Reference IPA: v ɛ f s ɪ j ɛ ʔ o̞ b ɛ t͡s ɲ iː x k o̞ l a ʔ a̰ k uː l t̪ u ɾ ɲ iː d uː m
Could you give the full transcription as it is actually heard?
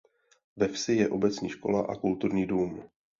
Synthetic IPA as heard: v ɛ f s ɪ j ɛ ʔ o̞ b ɛ t͡s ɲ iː ʃ k o̞ l a ʔ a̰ k u l t̪ u ɾ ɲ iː d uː m